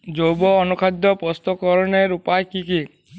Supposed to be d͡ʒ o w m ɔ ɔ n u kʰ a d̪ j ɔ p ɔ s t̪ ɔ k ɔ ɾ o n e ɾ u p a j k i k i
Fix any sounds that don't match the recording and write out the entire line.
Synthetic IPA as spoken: d͡ʒ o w b ɔ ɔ n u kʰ a d̪ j ɔ p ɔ s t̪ ɔ k ɔ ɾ ɔ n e ɾ u p a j k i k i